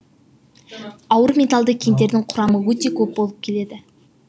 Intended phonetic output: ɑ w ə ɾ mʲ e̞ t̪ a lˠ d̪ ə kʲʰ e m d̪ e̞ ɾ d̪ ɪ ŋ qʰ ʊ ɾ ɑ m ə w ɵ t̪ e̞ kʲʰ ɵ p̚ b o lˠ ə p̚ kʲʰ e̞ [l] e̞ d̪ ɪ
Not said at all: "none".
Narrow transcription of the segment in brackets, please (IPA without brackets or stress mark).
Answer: l